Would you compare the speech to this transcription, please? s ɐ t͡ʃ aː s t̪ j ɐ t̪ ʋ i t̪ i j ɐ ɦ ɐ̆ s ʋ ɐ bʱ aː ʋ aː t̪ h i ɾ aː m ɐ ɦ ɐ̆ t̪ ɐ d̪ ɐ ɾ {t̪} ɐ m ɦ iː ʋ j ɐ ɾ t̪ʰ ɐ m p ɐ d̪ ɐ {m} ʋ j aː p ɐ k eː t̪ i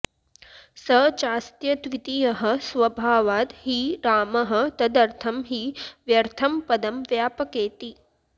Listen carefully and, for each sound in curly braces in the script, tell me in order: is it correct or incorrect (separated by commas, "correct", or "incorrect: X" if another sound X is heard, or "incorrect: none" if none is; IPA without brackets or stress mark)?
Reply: incorrect: t̪ʰ, correct